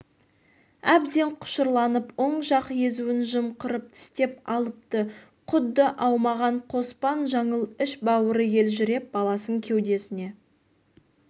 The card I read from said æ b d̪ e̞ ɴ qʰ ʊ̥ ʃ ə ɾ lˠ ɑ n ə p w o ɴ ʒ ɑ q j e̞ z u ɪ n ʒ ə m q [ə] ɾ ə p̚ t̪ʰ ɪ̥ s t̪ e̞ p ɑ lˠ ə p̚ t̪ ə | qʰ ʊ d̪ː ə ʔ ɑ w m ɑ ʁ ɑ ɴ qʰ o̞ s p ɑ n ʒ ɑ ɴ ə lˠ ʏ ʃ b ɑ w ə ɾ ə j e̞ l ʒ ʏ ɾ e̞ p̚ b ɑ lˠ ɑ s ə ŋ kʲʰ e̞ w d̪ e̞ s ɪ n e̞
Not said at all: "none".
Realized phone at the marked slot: ə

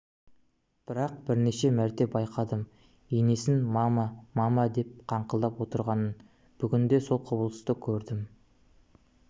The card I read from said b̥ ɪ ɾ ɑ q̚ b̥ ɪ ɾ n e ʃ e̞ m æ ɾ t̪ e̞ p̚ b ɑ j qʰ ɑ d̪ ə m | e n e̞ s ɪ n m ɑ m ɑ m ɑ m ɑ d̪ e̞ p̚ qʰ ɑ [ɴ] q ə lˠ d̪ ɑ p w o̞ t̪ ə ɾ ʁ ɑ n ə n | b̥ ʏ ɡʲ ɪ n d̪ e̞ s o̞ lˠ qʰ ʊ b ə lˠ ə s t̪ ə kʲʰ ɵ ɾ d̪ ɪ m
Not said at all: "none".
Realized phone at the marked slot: ɴ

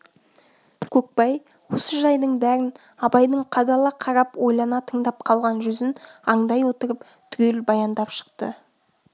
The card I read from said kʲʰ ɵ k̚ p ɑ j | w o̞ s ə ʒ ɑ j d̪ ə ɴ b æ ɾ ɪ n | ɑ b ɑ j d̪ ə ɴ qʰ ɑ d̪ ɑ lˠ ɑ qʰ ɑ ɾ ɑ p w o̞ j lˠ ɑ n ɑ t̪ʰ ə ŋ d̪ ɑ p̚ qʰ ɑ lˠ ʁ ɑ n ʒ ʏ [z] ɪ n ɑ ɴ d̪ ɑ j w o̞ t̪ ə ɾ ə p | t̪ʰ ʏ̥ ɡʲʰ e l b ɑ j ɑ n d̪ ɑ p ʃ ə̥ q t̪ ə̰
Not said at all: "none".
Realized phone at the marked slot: z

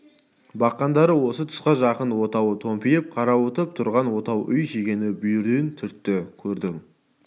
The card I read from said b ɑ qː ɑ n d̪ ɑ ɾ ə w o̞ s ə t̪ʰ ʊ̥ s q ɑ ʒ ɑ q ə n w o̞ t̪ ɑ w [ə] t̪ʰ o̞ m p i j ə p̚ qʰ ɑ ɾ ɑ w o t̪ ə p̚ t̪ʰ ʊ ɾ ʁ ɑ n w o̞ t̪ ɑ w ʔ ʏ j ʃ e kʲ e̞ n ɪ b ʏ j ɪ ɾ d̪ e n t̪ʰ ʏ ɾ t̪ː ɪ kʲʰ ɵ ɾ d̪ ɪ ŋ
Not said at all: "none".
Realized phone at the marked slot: ə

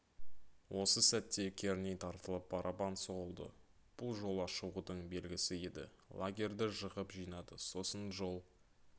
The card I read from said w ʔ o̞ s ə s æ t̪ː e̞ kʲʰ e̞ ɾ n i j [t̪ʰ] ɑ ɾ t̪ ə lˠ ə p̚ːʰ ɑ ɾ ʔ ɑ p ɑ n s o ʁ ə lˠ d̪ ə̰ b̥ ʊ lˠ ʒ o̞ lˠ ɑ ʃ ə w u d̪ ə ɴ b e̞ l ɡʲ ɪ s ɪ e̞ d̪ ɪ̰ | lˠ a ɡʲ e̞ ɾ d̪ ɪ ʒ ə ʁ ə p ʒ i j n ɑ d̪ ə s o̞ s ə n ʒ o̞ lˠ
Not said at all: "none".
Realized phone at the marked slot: t̪ʰ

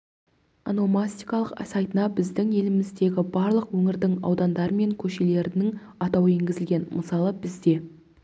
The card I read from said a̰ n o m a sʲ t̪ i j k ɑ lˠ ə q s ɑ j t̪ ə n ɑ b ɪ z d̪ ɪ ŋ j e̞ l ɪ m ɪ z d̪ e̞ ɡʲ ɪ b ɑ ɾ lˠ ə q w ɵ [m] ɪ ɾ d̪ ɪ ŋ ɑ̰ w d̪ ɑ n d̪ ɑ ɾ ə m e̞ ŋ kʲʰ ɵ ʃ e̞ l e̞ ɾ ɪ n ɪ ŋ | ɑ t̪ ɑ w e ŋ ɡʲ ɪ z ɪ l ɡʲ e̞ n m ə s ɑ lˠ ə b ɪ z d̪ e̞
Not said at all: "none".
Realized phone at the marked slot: ŋ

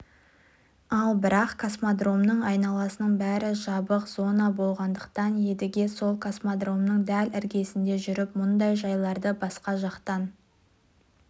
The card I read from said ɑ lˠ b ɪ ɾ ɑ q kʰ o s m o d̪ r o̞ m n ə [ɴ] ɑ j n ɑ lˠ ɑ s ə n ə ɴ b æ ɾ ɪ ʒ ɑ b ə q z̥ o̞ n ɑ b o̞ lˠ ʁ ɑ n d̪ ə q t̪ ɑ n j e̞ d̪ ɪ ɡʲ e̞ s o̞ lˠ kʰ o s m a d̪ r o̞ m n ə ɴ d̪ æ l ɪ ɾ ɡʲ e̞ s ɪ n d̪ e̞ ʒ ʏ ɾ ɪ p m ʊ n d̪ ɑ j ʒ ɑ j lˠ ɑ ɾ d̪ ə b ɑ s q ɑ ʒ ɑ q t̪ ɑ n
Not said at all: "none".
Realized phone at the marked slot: ɴ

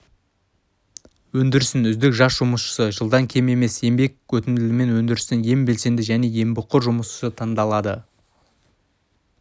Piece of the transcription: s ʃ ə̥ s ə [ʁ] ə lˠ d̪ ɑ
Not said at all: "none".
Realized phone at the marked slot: ʒ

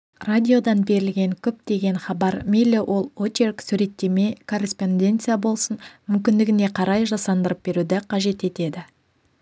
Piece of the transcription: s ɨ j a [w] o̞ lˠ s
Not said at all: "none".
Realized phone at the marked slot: b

